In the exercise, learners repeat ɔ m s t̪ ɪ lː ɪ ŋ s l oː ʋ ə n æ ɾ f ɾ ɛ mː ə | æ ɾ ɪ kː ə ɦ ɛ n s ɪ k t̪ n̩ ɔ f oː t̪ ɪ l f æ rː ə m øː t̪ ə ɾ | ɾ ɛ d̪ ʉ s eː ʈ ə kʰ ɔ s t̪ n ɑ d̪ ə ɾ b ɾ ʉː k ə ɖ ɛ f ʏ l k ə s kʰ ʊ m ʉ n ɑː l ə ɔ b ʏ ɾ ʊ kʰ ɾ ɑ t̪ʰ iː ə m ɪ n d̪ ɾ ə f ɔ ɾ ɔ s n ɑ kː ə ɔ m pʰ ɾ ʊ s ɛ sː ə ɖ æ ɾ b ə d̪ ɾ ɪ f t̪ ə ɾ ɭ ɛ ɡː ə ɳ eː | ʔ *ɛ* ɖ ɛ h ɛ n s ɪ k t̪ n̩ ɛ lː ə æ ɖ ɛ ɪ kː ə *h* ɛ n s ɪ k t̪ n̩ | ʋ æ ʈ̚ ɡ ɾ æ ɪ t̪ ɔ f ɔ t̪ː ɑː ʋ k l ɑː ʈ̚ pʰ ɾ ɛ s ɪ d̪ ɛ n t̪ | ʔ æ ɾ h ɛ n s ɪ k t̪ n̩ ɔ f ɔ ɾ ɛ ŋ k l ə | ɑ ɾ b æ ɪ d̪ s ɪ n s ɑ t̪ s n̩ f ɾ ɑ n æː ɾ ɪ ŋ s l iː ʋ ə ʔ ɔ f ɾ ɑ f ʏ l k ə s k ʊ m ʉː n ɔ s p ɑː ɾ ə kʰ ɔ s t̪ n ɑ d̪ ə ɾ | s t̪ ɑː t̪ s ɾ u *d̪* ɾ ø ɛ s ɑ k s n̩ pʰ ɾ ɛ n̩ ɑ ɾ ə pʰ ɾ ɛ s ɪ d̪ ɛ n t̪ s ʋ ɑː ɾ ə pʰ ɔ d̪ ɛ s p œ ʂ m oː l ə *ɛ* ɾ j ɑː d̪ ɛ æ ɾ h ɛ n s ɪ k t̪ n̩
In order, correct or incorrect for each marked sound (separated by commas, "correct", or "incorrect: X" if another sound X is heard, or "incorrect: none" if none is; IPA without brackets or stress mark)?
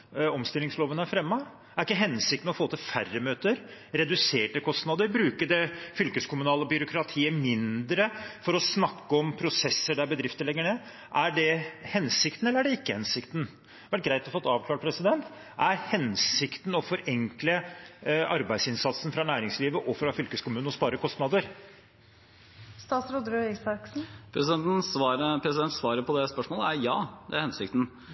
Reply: incorrect: æ, correct, correct, incorrect: æ